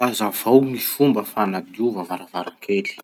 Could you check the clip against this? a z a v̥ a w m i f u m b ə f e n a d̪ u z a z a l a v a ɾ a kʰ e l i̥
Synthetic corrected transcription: a z a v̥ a w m i f u m b ə f a n a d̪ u v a v a ɾ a v a ɾ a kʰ e l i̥